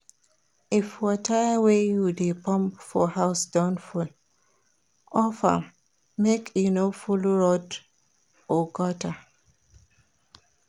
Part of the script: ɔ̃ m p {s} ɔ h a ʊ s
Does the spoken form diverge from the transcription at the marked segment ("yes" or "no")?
yes